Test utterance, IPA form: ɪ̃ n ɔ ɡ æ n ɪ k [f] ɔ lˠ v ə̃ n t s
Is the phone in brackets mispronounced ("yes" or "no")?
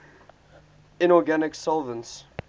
yes